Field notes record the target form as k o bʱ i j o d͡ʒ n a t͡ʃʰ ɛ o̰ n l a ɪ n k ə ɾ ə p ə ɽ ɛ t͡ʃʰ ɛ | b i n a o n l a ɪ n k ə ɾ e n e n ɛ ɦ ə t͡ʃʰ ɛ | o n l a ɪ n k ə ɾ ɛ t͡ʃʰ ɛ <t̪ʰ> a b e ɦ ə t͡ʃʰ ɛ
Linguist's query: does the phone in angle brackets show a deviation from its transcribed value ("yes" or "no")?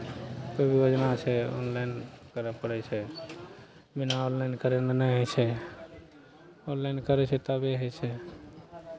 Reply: yes